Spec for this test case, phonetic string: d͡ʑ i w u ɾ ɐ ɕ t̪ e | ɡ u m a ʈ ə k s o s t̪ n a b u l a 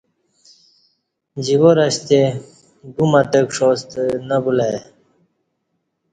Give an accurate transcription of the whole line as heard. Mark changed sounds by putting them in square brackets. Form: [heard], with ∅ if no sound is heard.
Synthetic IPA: d͡ʑ i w [o] ɾ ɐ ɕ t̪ e | ɡ u m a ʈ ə k [ʂ] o s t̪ n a b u l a